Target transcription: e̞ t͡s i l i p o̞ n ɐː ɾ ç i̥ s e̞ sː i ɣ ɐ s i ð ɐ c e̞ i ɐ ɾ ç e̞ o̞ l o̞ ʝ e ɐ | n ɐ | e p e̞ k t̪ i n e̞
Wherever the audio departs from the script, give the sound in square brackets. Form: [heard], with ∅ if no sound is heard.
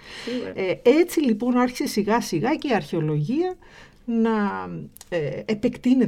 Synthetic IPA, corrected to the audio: e̞ t͡s i l i p o̞ n [ɐ] ɾ ç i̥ s e̞ [s] i ɣ ɐ s i [ɣ] ɐ c e̞ i ɐ ɾ ç e̞ o̞ l o̞ ʝ [i] ɐ | n ɐ | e p e̞ k t̪ i n e̞